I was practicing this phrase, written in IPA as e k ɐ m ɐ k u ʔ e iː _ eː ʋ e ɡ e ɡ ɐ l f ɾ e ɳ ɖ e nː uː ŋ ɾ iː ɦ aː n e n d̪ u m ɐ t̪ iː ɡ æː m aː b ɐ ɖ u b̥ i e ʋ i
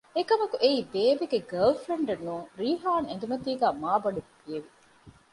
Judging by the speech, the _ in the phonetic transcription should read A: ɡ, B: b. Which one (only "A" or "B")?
B